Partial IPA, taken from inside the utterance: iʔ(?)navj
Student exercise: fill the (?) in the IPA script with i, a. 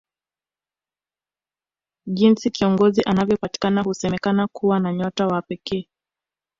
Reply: a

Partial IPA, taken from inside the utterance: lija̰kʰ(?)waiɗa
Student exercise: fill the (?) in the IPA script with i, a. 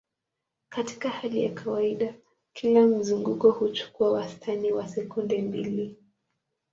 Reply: a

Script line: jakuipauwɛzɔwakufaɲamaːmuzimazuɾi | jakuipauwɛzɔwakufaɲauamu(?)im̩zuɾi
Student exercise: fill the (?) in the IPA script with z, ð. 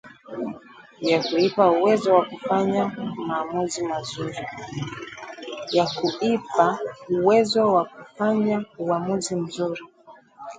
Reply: z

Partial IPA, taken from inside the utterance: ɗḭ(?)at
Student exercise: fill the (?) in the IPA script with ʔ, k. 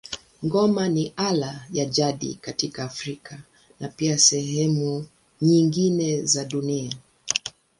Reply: k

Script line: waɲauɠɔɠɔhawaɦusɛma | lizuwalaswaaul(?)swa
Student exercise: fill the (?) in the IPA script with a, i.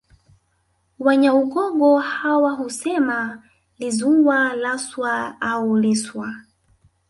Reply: i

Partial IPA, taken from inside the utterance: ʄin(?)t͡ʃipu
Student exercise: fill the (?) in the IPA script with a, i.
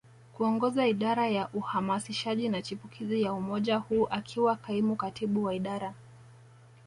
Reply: a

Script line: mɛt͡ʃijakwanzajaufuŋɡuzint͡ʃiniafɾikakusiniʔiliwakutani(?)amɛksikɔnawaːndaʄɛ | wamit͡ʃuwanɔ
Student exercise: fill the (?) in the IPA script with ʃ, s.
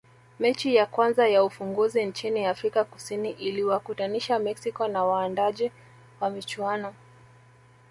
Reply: ʃ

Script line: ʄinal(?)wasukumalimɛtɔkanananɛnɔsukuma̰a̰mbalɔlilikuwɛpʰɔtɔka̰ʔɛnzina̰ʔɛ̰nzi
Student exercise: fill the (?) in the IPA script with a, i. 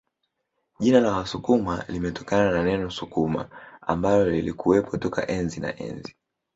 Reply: a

